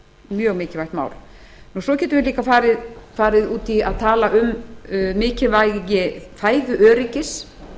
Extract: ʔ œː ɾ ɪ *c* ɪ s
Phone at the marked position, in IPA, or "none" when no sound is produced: c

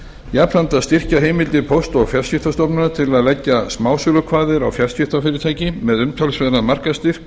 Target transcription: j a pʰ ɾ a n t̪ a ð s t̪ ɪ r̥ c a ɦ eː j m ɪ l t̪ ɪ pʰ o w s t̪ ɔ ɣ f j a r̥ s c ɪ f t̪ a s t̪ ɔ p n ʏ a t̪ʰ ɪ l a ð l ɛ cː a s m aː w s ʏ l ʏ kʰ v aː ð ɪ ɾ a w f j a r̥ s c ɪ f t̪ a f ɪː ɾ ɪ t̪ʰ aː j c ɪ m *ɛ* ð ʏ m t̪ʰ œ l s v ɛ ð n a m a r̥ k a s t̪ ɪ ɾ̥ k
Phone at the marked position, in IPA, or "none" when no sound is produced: ɛ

